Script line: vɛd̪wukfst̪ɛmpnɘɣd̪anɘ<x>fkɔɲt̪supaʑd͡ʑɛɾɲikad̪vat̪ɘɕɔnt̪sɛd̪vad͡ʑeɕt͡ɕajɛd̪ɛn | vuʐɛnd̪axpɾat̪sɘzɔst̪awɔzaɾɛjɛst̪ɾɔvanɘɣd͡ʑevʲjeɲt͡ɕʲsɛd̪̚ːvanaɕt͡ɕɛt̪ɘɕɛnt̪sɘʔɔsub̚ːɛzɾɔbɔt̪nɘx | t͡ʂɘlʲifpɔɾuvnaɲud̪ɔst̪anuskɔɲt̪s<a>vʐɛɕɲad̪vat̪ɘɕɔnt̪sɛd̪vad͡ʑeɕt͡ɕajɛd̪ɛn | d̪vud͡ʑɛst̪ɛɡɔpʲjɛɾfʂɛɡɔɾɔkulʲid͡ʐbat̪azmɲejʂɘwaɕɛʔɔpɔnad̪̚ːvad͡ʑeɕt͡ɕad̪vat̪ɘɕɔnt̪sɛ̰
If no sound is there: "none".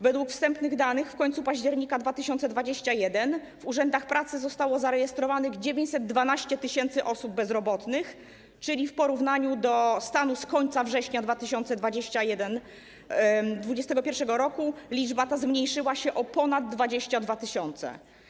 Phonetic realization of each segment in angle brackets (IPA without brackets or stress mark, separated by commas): x, a